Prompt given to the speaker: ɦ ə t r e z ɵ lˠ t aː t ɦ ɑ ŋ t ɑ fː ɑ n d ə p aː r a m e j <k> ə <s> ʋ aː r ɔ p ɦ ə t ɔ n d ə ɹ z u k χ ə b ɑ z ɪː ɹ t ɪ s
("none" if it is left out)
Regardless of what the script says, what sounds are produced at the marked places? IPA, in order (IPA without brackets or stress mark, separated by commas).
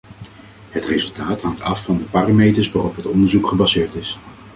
t, s